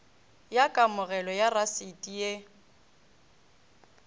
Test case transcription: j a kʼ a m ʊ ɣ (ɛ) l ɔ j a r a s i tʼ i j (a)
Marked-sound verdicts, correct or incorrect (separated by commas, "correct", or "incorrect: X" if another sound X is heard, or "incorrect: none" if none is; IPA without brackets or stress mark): correct, incorrect: e